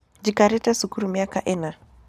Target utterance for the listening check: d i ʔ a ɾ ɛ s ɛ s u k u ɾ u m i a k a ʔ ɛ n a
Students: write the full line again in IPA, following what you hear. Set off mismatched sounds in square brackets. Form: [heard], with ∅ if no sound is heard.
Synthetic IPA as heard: [d͡ʒ] i [k] a ɾ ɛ [t] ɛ s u k u ɾ u m i a k a ʔ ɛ n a